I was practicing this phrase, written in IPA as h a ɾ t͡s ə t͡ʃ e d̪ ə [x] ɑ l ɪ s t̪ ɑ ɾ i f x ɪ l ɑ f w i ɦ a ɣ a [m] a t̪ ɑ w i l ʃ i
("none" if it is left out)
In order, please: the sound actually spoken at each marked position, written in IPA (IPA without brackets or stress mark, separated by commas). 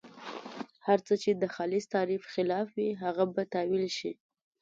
x, b